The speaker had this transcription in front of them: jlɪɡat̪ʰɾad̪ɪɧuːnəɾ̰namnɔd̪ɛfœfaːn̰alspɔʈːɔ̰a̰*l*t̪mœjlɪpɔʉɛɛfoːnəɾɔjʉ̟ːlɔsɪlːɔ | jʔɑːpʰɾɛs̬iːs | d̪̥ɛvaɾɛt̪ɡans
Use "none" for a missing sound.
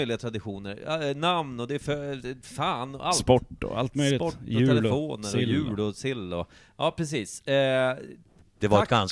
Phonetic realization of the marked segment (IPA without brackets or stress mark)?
l